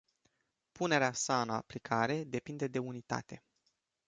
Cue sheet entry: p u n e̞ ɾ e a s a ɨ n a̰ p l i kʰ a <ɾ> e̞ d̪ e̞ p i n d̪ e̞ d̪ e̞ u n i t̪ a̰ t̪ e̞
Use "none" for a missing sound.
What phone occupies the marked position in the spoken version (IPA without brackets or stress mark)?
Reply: ɾ